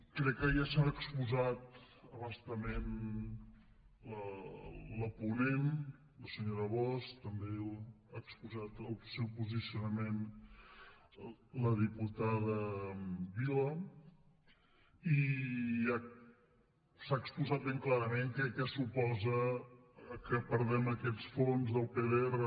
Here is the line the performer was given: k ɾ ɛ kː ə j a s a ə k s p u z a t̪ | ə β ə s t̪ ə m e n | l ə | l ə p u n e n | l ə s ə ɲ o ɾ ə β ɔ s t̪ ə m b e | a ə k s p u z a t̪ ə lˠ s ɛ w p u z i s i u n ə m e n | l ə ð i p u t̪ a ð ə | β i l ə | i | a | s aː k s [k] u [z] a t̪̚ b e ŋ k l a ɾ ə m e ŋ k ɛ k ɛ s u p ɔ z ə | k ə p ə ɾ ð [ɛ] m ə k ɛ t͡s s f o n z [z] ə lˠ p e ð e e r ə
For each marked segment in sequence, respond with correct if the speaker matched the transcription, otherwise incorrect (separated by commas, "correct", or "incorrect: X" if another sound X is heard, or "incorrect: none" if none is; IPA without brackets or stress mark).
incorrect: p, correct, correct, incorrect: ð